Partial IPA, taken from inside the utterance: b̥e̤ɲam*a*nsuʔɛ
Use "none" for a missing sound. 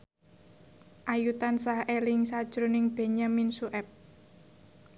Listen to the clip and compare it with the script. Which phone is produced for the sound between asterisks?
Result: i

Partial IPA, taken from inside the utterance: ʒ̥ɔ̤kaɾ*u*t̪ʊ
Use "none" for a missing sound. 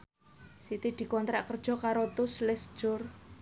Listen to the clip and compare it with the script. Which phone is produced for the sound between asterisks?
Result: o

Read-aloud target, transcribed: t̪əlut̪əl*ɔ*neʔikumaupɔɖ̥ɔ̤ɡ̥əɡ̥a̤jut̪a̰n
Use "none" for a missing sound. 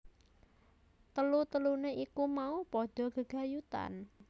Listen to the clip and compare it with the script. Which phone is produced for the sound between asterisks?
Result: u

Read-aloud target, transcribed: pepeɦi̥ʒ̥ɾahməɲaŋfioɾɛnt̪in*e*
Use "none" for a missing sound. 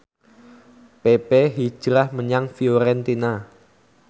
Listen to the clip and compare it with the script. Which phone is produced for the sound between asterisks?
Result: a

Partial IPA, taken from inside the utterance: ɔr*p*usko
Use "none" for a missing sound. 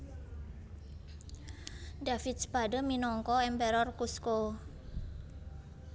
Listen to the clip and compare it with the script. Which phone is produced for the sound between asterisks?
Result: k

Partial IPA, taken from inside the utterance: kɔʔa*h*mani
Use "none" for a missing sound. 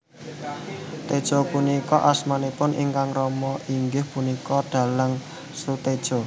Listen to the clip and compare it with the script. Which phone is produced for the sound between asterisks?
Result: s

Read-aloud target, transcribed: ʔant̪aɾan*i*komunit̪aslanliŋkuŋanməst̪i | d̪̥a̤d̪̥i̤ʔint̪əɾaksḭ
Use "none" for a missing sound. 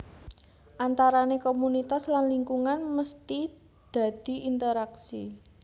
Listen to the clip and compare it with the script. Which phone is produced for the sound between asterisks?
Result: e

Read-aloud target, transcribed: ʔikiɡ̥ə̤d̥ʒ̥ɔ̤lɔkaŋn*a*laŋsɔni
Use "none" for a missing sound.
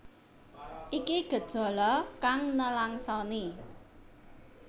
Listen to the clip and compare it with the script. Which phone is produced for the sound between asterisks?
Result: ə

